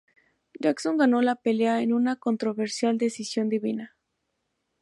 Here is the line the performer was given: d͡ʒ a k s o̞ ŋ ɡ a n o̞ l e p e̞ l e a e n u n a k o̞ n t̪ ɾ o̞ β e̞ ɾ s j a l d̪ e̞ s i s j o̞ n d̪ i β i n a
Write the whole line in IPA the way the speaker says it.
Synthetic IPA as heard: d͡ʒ a k s o̞ ŋ ɡ a n o̞ l a p e̞ l e a e n u n a k o̞ n t̪ ɾ o̞ β e̞ ɾ s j a l d̪ e̞ s i s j o̞ n d̪ i β i n a